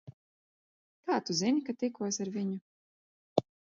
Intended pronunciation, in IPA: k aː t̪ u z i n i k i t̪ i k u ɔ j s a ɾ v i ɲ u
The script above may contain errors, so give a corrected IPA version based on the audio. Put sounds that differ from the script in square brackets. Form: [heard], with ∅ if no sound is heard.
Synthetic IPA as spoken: k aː t̪ u z i n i k [a] t̪ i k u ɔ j s a ɾ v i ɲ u